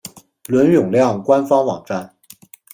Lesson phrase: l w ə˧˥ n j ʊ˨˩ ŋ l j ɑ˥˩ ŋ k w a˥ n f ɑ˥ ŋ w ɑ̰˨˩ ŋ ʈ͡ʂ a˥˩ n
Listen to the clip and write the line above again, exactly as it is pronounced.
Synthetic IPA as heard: l w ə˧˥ n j ʊ˨˩ ŋ l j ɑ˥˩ ŋ k w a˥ n f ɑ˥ ŋ w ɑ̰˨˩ ŋ ʈ͡ʂ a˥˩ n